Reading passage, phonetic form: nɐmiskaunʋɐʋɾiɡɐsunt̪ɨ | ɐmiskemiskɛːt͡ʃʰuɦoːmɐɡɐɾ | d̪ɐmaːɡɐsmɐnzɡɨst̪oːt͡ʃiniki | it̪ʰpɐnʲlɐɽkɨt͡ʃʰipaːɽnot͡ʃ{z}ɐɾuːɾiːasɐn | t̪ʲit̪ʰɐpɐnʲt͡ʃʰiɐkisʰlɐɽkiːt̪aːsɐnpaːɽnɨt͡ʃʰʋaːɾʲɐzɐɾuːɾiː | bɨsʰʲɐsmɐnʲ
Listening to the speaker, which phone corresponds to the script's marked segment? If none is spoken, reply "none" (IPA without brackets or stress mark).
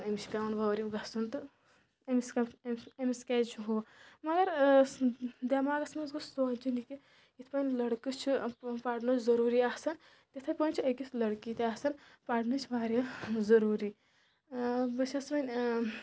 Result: z